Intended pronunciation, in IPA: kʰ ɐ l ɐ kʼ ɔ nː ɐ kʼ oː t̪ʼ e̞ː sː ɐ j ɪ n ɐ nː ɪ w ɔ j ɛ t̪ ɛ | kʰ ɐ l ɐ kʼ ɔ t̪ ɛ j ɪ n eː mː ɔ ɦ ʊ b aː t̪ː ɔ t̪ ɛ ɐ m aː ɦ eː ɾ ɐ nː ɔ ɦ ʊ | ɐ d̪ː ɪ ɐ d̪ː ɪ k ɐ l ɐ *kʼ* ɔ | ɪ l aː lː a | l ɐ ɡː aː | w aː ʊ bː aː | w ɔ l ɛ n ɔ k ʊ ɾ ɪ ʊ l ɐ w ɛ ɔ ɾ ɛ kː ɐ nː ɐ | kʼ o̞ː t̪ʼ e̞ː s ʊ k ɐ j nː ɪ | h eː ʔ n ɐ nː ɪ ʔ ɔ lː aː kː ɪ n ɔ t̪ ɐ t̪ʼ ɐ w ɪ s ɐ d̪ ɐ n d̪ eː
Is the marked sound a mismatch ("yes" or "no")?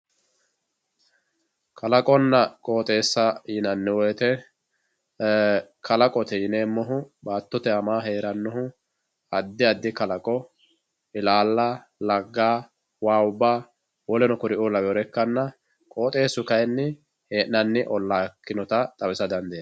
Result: no